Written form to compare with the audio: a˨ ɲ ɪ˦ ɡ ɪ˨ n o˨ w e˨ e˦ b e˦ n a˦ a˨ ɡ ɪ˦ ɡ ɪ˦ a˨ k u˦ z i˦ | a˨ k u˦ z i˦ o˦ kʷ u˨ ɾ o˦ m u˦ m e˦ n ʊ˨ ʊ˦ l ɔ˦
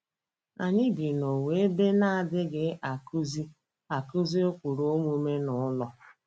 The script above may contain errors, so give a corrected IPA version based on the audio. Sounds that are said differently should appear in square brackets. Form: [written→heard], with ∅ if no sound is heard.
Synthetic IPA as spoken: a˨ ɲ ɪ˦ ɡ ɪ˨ n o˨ w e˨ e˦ b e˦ n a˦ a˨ [ɡ→d] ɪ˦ ɡ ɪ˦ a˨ k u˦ z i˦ | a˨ k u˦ z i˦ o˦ kʷ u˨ ɾ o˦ m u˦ m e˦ n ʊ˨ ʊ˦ l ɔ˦